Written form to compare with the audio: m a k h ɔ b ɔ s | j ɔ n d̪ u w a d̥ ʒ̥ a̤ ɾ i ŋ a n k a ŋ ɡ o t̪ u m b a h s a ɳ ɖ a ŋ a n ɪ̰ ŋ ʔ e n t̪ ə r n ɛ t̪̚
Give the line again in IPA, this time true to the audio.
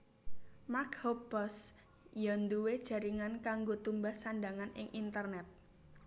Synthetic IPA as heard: m a k h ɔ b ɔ s | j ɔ n d̪ u w e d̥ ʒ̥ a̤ ɾ i ŋ a n k a ŋ ɡ o t̪ u m b a h s a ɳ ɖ a ŋ a n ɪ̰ ŋ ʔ i n t̪ ə r n ɛ t̪̚

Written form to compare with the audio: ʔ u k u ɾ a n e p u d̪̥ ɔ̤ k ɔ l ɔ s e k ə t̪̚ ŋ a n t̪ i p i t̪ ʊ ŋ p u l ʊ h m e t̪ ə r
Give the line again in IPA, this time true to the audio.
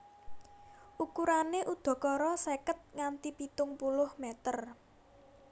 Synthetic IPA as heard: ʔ u k u ɾ a n e ʔ u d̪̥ ɔ̤ k ɔ ɾ ɔ s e k ə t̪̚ ŋ a n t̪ i p i t̪ ʊ ŋ p u l ʊ h m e t̪ ə r

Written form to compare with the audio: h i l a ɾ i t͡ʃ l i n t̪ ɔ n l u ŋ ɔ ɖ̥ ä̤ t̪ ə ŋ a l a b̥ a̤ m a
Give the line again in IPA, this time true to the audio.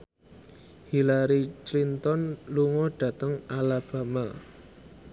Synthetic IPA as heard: h i l a ɾ i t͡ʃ l i n t̪ ɔ n l u ŋ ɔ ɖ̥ ä̤ t̪ ə ŋ a l a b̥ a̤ m a

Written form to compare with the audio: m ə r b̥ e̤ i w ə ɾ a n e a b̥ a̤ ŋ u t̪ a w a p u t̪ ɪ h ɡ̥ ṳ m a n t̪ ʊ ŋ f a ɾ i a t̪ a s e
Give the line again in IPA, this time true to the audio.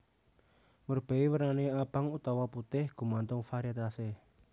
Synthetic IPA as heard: m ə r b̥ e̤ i w ə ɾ a n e a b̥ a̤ ŋ u t̪ a w a p u t̪ ɪ h ɡ̥ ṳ m a n t̪ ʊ ŋ f a ɾ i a t̪ a s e

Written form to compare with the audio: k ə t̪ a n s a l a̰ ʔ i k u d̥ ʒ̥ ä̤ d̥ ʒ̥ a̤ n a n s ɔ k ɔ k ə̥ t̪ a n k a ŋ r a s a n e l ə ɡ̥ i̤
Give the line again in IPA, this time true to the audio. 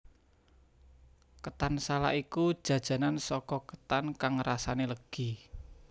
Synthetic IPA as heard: k ə t̪ a n s a l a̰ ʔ i k u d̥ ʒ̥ ä̤ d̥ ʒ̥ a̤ n a n s ɔ k ɔ k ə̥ t̪ a n k a ŋ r a s a n e l ə ɡ̥ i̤

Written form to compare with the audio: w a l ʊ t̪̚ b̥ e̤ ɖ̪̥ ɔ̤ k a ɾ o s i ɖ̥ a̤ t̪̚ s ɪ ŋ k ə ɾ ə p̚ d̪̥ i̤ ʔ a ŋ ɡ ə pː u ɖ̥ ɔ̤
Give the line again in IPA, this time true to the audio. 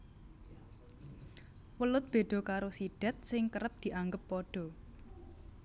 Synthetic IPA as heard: w ə l ʊ t̪̚ b̥ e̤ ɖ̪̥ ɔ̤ k a ɾ o s i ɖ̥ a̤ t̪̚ s ɪ ŋ k ə ɾ ə p̚ d̪̥ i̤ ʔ a ŋ ɡ ə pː ɔ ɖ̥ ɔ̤

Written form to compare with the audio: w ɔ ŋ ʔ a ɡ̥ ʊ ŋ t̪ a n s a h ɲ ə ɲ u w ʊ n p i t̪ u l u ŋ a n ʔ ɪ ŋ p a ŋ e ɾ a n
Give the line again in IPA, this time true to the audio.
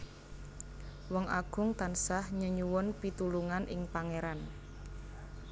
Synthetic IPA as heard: w ɔ ŋ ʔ a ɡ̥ ʊ ŋ t̪ a n s a h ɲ ə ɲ u w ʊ n p i t̪ u l u ŋ a n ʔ ɪ ŋ p a ŋ e ɾ a n

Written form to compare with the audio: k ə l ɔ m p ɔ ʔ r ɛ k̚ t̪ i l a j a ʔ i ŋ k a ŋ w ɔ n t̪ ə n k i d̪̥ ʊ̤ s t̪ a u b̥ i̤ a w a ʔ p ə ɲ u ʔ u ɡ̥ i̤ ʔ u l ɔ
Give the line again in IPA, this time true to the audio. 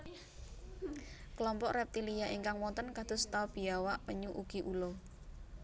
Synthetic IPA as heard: k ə l ɔ m p ɔ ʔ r ɛ p̚ t̪ i l i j a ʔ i ŋ k a ŋ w ɔ n t̪ ə n k a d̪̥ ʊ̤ s t̪ a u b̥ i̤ a w a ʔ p ə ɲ u ʔ u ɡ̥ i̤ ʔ u l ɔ

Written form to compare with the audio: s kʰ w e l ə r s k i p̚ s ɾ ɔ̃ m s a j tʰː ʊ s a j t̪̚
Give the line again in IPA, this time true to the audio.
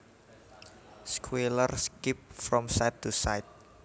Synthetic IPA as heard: s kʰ w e l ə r s k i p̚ f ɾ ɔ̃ m s a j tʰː u s a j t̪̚

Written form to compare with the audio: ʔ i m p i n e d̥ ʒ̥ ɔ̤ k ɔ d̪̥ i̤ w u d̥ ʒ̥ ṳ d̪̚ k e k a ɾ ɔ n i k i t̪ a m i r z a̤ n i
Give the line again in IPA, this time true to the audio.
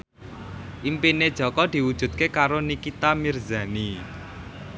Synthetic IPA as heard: ʔ i m p i n e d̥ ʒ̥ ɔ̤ k ɔ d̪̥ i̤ w u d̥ ʒ̥ ṳ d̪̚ k e k a ɾ o n i k i t̪ a m i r z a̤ n i

